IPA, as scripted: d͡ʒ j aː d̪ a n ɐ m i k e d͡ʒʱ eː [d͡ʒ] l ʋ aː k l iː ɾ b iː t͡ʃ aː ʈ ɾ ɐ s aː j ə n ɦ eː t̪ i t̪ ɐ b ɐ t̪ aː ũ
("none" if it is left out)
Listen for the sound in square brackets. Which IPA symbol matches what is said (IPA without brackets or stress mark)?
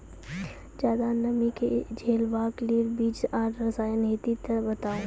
none